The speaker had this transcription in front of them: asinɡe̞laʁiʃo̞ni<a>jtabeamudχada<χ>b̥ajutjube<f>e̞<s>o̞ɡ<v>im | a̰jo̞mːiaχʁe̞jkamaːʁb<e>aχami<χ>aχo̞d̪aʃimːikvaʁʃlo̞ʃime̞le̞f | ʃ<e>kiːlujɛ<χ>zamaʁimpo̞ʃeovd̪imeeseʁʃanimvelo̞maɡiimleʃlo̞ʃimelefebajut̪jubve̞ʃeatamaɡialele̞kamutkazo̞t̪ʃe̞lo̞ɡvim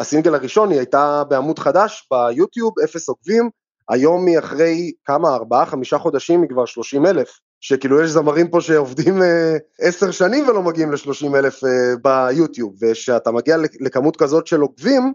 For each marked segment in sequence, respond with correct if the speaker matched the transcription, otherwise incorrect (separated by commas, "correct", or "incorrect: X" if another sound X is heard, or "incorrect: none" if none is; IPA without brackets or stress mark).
correct, incorrect: ʃ, correct, correct, correct, incorrect: a, incorrect: ʃ, correct, incorrect: ʃ